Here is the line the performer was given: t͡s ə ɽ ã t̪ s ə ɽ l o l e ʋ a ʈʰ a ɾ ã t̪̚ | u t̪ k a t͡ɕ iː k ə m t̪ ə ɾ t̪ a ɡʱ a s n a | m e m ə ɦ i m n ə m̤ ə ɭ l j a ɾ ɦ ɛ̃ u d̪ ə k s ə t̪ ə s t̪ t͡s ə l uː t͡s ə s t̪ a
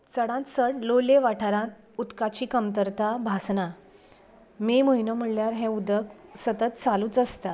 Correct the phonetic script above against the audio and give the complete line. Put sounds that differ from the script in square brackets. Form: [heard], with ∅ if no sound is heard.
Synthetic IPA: t͡s ə ɽ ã t̪ s ə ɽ l o l e ʋ a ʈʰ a ɾ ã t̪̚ | u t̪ k a t͡ɕ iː k ə m t̪ ə ɾ t̪ a [bʱ] a s n a | m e m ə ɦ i [∅] n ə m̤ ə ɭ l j a ɾ ɦ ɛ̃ u d̪ ə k s ə t̪ ə [∅] t̪ t͡s [a] l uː t͡s ə s t̪ a

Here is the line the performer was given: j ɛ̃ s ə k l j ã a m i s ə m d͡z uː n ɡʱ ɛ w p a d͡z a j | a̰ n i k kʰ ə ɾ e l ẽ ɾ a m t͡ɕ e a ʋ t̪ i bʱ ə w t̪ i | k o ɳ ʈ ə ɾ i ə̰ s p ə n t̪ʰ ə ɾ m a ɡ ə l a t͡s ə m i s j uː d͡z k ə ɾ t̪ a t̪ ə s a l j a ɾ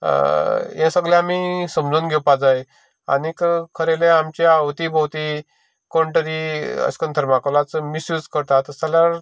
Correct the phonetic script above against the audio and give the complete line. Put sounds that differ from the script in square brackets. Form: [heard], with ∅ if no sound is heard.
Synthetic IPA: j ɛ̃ s ə [ɡ] l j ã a m i s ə m d͡z uː n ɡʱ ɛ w p a d͡z a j | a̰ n i k kʰ ə ɾ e l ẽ [∅] a m t͡ɕ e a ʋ t̪ i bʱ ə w t̪ i | k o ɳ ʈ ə ɾ i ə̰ s [k] ə n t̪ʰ ə ɾ m a [k] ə l a t͡s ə m i s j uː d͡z k ə ɾ t̪ a t̪ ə s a l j a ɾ

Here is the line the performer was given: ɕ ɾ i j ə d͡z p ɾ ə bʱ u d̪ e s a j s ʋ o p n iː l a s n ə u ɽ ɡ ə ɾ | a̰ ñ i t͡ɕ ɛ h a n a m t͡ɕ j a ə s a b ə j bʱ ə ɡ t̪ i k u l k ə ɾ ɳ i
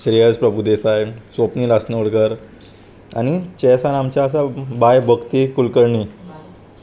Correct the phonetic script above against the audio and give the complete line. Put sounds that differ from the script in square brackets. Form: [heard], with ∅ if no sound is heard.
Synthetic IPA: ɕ ɾ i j ə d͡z p ɾ ə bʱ u d̪ e s a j s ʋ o p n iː l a s n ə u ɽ ɡ ə ɾ | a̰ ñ i t͡ɕ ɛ [s] a n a m t͡ɕ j a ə s a b [a] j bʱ ə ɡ t̪ i k u l k ə ɾ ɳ i

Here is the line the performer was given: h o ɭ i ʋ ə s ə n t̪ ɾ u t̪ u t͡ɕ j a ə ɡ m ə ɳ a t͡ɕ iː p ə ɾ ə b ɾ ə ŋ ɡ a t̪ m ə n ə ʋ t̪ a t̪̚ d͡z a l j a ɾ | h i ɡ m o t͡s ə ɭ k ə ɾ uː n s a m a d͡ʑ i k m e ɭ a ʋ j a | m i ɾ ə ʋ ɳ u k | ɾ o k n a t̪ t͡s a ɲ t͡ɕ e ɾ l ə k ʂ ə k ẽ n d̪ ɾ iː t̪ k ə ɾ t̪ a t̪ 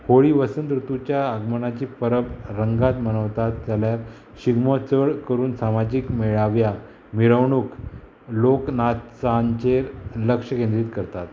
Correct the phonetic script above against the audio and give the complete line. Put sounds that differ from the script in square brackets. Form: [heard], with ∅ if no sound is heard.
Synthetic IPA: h o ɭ i ʋ ə s ə n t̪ ɾ u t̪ u t͡ɕ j a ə ɡ m ə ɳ a t͡ɕ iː p ə ɾ ə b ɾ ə ŋ ɡ a t̪ m ə n ə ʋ t̪ a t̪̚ d͡z a l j a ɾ | [ɕ] i ɡ m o t͡s ə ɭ k ə ɾ uː n s a m a d͡ʑ i k m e ɭ a ʋ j a | m i ɾ ə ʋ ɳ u k | [l] o k n a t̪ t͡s a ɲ t͡ɕ e ɾ l ə k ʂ ə k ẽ n d̪ ɾ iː t̪ k ə ɾ t̪ a t̪

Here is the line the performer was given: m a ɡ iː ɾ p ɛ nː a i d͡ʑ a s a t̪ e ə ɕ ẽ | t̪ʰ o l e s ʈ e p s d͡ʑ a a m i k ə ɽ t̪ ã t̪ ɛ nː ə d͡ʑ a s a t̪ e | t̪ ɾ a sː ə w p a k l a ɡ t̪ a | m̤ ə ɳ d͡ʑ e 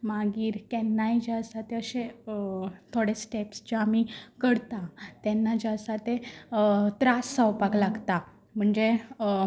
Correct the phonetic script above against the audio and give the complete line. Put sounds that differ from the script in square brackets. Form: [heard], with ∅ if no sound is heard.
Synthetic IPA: m a ɡ iː ɾ [k] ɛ nː a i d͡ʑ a s a t̪ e ə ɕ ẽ | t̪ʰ o [ɽ] e s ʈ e p s d͡ʑ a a m i k ə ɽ t̪ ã t̪ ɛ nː [a] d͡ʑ a s a t̪ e | t̪ ɾ a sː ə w p a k l a ɡ t̪ a | m̤ ə ɳ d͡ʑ e

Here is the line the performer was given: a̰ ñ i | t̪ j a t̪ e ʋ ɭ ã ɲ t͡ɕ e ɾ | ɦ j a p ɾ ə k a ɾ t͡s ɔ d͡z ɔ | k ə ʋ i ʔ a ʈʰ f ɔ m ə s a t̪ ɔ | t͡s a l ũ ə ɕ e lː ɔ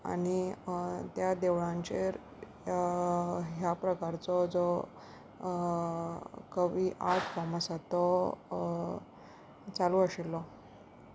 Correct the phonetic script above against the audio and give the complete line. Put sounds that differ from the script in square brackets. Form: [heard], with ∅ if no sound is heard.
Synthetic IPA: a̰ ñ i | t̪ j a [d̪] e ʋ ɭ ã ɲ t͡ɕ e ɾ | ɦ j a p ɾ ə k a ɾ t͡s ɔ d͡z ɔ | k ə ʋ i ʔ a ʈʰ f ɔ m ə s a t̪ ɔ | t͡s a l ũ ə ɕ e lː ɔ

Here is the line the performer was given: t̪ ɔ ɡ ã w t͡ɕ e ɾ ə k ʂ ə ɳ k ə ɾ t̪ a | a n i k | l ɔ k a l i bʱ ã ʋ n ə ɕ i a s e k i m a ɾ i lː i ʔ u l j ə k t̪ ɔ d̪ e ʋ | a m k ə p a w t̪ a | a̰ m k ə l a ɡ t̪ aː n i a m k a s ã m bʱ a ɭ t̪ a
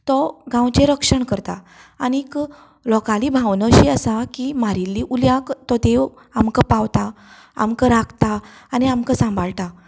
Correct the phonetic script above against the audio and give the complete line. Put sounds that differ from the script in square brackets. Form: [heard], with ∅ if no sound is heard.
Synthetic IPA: t̪ ɔ ɡ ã w t͡ɕ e ɾ ə k ʂ ə ɳ k ə ɾ t̪ a | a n i k | l ɔ k a l i bʱ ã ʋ n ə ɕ i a s [a] k i m a ɾ i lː i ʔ u l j [a] k t̪ ɔ d̪ e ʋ | a m k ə p a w t̪ a | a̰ m k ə [ɾ] a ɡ t̪ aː n i a m k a s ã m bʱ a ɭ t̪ a

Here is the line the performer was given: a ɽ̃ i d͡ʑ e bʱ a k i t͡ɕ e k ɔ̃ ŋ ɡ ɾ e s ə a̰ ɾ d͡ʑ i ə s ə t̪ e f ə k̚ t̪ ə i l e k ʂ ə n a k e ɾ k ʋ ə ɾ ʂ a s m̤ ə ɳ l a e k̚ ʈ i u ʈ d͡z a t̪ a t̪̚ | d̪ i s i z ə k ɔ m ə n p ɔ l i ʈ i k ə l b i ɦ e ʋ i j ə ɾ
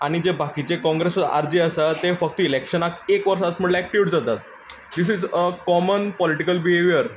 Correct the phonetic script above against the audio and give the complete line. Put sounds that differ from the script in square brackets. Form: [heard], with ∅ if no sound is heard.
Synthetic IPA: a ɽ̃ i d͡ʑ e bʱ a k i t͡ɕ e k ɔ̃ ŋ ɡ ɾ e s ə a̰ ɾ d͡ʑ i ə s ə t̪ e f ə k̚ t̪ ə i l e k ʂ ə n a k e [∅] k ʋ ə ɾ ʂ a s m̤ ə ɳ l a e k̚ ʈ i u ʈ d͡z a t̪ a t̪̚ | d̪ i s i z ə k ɔ m ə n p ɔ l i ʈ i k ə l b i ɦ e ʋ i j ə ɾ

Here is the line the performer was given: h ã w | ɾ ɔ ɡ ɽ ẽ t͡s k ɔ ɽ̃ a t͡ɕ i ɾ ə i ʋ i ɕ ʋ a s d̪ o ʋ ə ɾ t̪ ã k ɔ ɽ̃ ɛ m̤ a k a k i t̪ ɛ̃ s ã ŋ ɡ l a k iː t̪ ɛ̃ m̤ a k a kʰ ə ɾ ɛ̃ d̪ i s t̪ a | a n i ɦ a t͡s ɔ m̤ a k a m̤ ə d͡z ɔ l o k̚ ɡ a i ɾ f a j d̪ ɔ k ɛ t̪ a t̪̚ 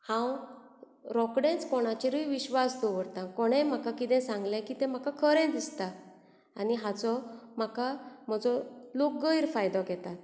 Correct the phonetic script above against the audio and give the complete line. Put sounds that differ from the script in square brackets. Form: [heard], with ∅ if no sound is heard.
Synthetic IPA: h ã w | ɾ ɔ [k] ɽ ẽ t͡s k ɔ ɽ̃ a t͡ɕ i ɾ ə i ʋ i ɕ ʋ a s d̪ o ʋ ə ɾ t̪ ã k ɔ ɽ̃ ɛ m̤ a k a k i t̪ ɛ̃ s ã ŋ ɡ l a k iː t̪ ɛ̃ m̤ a k a kʰ ə ɾ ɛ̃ d̪ i s t̪ a | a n i ɦ a t͡s ɔ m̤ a k a m̤ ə d͡z ɔ l o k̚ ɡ [ə] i ɾ f a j d̪ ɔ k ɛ t̪ a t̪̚

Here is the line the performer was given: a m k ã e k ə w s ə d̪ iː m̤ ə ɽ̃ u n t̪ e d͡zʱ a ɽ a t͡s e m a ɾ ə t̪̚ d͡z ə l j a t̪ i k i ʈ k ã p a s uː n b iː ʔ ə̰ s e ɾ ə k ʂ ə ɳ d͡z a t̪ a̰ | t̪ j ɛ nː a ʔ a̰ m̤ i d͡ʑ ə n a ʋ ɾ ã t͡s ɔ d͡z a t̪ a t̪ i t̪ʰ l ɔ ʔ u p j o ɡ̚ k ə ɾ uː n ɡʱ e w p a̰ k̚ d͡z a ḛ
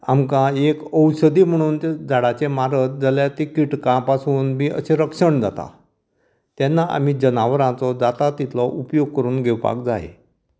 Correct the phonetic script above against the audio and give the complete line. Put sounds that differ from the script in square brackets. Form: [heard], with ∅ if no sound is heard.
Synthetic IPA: a m k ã e k ə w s ə d̪ iː m̤ ə ɽ̃ [uː] n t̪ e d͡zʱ a ɽ a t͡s e m a ɾ ə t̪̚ d͡z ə l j a t̪ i k i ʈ k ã p a s uː n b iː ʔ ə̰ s e ɾ ə k ʂ ə ɳ d͡z a t̪ a̰ | t̪ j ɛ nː a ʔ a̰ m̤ i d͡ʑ ə n a ʋ ɾ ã t͡s ɔ d͡z a t̪ a t̪ i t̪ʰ l ɔ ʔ u p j o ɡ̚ k ə ɾ uː n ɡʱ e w p a̰ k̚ d͡z a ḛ

